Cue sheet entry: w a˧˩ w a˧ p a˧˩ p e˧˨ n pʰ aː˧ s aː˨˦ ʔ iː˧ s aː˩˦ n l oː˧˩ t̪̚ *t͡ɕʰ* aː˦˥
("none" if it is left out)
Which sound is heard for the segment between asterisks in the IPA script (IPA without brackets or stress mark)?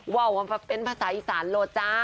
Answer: t͡ɕ